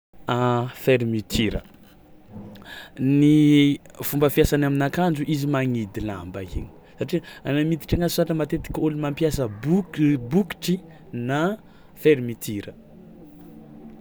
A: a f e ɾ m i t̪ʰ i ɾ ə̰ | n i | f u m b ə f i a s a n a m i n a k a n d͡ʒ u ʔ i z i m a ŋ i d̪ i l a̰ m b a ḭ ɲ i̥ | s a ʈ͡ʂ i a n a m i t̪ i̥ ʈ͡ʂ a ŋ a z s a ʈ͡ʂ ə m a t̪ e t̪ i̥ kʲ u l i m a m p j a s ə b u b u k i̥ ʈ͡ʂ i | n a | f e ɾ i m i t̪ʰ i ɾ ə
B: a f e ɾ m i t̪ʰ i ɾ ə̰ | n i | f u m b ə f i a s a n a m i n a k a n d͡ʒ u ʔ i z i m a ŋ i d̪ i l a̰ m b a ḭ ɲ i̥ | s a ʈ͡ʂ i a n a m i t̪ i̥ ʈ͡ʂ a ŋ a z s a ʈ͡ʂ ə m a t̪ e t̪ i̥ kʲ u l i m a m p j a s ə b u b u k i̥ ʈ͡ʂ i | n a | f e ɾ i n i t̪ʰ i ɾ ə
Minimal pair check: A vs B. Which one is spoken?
A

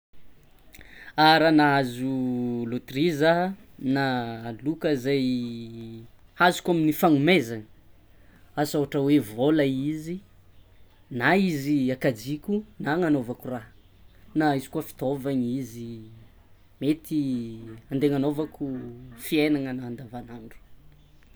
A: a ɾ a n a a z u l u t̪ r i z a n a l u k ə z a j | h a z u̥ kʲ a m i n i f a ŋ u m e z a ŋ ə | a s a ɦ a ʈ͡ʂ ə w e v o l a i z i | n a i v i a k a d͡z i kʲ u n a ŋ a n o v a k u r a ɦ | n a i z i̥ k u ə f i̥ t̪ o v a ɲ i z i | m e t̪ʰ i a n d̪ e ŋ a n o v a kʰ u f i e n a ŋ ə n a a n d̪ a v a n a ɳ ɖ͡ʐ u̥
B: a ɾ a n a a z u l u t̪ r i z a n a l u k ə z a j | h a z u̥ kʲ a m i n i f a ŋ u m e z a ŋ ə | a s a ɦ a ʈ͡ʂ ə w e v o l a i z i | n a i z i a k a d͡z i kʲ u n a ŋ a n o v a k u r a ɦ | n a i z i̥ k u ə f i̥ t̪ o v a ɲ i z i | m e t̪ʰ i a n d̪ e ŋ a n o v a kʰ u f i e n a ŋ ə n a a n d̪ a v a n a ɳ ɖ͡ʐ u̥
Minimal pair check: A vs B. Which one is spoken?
B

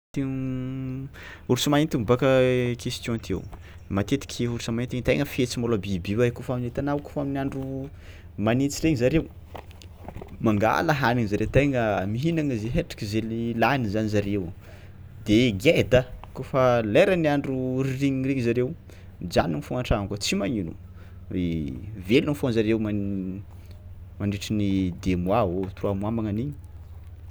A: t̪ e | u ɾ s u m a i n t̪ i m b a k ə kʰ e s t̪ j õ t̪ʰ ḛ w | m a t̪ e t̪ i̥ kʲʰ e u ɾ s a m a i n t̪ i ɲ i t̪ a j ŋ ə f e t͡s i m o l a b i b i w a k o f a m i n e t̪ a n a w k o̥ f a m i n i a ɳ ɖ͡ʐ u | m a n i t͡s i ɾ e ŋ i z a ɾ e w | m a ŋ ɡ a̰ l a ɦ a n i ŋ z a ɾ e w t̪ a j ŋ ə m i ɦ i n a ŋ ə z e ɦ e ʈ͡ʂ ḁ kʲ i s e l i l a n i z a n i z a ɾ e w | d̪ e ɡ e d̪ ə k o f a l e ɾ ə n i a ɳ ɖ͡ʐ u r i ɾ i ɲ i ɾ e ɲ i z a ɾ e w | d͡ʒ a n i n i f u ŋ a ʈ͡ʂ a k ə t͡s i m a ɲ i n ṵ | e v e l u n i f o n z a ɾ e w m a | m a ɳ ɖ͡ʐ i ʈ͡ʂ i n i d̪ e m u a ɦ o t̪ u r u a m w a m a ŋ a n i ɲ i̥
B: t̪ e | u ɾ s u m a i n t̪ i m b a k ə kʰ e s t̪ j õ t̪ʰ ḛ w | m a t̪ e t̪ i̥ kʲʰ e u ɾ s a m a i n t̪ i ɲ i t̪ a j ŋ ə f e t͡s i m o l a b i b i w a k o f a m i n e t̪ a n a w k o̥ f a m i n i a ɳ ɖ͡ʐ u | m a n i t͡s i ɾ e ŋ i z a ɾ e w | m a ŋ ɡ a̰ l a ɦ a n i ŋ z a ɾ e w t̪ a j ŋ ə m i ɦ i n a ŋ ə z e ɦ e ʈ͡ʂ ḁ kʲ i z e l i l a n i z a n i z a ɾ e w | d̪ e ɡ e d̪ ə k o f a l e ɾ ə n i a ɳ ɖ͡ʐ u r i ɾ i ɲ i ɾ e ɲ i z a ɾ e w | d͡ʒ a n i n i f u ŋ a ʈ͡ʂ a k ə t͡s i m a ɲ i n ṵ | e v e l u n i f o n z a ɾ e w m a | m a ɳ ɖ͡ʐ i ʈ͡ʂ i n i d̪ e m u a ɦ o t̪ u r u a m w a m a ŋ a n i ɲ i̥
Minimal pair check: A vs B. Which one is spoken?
B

